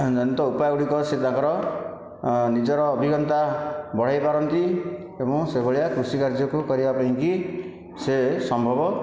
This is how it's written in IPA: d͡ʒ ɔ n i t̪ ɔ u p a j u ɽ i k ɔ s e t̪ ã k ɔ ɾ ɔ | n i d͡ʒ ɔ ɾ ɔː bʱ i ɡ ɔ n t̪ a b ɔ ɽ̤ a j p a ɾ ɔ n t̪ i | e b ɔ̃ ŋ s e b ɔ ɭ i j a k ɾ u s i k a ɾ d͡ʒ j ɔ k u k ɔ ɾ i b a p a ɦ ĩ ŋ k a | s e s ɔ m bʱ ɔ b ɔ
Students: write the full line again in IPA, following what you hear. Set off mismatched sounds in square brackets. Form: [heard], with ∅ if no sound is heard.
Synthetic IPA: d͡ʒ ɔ n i t̪ ɔ u p a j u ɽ i k ɔ s e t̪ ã k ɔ ɾ ɔ | n i d͡ʒ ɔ ɾ ɔː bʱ i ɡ ɔ n t̪ a b ɔ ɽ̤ a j p a ɾ ɔ n t̪ i | e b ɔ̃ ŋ s e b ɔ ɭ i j a k ɾ u s i k a ɾ d͡ʒ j ɔ k u k ɔ ɾ i b a p a ɦ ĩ ŋ k [i] | s e s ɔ m bʱ ɔ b ɔ